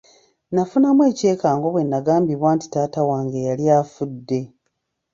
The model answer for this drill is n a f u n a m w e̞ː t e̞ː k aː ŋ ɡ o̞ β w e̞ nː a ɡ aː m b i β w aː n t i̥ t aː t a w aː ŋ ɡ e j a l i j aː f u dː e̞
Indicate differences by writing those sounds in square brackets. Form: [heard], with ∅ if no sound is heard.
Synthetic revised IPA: n a f u n a m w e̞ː [c] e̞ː k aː ŋ ɡ o̞ β w e̞ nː a ɡ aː m b i β w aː n t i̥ t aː t a w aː ŋ ɡ e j a l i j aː f u dː e̞